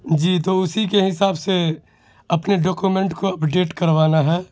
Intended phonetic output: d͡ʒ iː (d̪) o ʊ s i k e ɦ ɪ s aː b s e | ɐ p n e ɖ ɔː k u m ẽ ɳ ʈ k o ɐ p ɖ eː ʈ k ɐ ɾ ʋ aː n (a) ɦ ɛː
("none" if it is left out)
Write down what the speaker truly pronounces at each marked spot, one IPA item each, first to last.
t̪, a

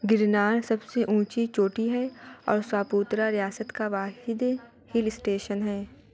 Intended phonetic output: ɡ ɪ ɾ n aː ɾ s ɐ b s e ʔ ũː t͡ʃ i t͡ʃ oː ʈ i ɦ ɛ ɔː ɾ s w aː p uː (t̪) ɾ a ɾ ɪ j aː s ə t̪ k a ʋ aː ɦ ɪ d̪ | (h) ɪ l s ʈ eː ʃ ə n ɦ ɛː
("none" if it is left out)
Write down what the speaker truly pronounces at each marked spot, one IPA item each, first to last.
t̪, h

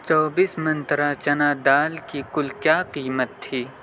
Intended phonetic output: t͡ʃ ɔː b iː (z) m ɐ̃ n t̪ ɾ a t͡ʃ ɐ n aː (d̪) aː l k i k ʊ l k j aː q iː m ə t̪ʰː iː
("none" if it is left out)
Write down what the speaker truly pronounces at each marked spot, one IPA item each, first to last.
s, d̪

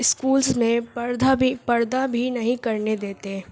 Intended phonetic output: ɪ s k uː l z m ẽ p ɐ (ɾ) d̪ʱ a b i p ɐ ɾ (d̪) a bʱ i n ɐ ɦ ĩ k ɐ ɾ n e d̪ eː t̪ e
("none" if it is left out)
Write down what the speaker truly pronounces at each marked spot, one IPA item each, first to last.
ɾ, d̪

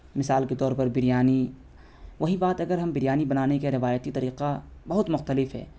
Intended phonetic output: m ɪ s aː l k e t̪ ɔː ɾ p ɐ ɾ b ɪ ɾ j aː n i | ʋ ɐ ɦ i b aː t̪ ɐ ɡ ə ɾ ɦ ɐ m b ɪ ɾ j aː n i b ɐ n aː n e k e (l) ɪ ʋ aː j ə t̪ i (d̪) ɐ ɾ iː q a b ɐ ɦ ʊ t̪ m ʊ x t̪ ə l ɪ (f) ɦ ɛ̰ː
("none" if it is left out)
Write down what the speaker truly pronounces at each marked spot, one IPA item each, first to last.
ɾ, t̪, f

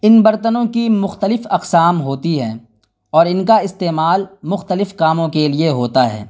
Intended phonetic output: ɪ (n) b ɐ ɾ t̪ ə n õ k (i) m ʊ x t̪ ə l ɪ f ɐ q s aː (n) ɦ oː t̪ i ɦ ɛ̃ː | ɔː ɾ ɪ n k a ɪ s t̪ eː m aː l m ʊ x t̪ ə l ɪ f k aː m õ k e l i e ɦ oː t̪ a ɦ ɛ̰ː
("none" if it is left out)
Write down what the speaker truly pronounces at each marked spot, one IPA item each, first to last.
n, i, m

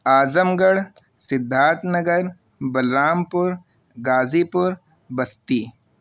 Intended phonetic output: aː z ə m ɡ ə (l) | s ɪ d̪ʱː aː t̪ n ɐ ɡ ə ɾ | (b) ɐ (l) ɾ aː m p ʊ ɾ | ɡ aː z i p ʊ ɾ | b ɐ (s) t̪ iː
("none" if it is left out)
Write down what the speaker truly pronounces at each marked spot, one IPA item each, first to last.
ɽ, b, l, s

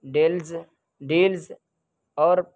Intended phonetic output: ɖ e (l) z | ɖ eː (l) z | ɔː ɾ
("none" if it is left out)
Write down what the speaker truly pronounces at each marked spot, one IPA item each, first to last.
l, l

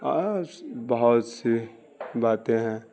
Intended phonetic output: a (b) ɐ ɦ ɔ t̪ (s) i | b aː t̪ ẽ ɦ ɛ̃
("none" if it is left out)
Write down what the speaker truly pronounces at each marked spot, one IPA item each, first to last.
b, s

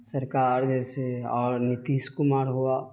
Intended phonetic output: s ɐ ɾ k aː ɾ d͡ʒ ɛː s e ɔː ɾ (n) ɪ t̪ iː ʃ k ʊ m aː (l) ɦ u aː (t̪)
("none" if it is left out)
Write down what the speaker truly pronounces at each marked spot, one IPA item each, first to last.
n, ɾ, none

